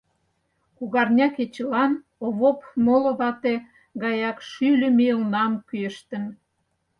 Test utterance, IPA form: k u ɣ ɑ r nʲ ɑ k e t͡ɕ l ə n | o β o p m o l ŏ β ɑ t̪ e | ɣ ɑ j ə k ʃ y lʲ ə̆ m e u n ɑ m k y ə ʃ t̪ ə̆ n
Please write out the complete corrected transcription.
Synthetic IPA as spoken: k u ɣ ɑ r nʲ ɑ k e t͡ɕ l ɑ n | o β o p m o l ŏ β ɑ t̪ e | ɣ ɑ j ɑ k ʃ y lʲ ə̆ m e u n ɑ m k y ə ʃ t̪ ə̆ n